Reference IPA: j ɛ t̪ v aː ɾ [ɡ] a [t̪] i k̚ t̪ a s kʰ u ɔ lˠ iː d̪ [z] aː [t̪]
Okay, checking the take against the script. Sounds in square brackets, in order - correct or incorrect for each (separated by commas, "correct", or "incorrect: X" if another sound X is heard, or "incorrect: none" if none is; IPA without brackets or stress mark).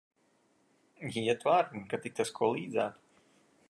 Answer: incorrect: k, correct, correct, correct